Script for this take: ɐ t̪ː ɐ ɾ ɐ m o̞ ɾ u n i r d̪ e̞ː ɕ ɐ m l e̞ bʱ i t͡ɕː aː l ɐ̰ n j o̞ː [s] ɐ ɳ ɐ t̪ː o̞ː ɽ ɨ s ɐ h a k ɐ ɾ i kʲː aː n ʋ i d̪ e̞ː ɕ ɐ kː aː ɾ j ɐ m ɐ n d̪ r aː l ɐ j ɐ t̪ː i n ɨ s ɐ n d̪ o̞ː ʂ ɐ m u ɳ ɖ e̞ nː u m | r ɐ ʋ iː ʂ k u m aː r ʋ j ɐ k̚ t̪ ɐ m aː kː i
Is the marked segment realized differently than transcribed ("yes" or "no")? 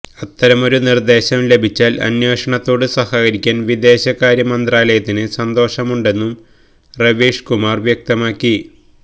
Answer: yes